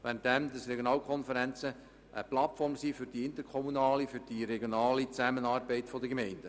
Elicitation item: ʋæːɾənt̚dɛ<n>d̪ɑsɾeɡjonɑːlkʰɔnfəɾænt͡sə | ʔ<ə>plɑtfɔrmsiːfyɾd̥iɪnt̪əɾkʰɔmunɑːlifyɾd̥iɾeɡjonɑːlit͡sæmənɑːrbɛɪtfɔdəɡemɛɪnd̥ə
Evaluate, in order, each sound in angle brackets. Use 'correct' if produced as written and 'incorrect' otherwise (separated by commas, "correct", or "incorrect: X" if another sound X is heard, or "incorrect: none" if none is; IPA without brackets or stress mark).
incorrect: m, correct